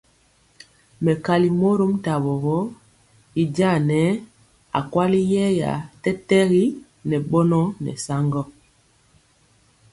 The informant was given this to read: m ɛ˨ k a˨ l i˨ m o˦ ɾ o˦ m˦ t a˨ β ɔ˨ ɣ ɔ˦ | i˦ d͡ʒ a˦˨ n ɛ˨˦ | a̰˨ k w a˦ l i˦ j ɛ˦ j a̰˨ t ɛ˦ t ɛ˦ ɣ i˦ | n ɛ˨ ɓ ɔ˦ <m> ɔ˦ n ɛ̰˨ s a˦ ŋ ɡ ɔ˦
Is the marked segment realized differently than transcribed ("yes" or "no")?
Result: yes